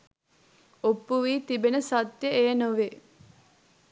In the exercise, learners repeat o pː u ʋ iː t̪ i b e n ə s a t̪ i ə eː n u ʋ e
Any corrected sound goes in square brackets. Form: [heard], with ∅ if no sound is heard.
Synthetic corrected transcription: o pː u ʋ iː t̪ i b e n ə s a t̪ [j] ə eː n [o] ʋ e

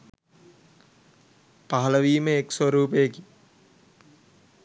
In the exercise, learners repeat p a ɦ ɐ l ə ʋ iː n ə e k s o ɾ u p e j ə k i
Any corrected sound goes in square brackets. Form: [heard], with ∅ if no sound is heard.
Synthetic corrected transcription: p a ɦ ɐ l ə ʋ iː [m] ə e k s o ɾ [uː] p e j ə k i

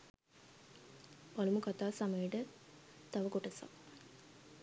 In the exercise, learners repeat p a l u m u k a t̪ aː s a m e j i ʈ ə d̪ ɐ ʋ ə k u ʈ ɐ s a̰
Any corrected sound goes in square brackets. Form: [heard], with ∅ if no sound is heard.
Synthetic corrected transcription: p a l u m u k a t̪ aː s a m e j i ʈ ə [t̪] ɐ ʋ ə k [o] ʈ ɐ s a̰

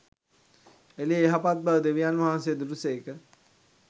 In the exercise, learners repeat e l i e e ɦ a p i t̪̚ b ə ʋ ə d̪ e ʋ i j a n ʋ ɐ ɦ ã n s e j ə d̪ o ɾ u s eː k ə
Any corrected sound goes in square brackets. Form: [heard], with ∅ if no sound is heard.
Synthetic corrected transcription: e l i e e ɦ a p [a] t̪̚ b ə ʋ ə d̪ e ʋ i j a n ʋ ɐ ɦ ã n s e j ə d̪ [u] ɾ u s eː k ə

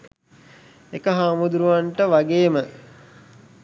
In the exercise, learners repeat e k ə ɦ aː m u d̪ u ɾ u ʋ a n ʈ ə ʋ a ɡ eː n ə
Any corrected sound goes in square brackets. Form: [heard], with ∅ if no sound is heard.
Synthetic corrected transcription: e k ə ɦ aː m u d̪ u ɾ u ʋ a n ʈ ə ʋ a ɡ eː [m] ə

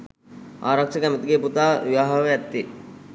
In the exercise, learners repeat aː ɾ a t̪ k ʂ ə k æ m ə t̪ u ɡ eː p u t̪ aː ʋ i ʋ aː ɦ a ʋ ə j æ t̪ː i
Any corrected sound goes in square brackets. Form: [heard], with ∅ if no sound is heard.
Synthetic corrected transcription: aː ɾ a [∅] k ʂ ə k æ m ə t̪ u ɡ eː p u t̪ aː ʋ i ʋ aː ɦ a ʋ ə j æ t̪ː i

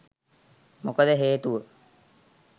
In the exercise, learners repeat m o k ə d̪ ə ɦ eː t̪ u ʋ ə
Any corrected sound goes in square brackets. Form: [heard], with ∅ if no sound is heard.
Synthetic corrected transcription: m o k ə d̪ ə ɦ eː t̪ u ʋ ə

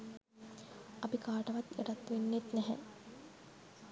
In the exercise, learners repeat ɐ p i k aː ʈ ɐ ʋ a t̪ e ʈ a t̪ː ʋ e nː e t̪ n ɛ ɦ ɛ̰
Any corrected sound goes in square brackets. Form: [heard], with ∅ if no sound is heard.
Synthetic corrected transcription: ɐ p i k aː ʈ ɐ ʋ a t̪ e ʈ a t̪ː ʋ e nː e t̪ n ɛ ɦ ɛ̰

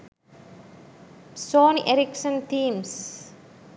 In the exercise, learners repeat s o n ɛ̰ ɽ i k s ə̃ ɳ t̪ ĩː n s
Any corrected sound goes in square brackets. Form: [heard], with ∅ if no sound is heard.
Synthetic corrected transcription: s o n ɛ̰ [ɾ] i k s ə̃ [n] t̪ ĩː [m] s

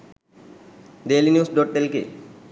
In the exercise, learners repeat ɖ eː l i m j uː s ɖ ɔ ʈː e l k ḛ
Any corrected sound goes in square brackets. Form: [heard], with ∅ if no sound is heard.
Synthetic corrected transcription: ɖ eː l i [n] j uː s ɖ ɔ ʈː e l k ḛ

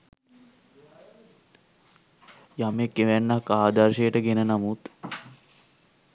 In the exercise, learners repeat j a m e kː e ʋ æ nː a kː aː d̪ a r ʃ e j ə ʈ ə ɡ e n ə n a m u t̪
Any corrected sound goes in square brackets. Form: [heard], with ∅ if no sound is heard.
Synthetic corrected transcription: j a m e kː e ʋ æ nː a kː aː d̪ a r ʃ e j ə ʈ ə ɡ e n ə n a m u t̪

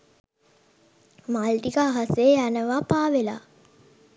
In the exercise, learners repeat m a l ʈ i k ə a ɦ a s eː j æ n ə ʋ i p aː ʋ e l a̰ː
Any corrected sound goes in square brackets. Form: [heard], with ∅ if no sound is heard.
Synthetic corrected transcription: m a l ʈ i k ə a ɦ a s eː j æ n ə ʋ [a] p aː ʋ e l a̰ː

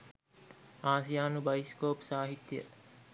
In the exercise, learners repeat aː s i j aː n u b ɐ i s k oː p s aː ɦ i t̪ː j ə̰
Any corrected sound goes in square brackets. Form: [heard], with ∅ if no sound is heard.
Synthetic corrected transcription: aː s i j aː n u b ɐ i s k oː p s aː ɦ i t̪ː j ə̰

